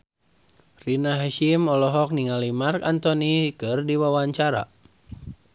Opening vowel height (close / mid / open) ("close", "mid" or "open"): close